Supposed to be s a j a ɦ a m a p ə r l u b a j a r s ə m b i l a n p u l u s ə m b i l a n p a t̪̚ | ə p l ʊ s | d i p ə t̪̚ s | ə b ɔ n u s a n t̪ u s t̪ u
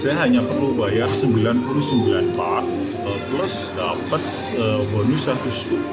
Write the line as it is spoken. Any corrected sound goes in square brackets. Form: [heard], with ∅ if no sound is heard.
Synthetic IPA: s a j a ɦ a [ɲ] a p ə r l u b a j a r s ə m b i l a n p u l u s ə m b i l a n p a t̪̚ | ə p l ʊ s | d [a] p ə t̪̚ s | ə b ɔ n u s a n t̪ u s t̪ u